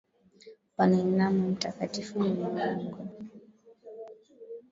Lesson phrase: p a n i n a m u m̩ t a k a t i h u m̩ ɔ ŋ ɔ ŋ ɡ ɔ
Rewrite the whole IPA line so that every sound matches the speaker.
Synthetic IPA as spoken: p a n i n a m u m̩ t a k a t i f u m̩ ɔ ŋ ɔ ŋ ɡ ɔ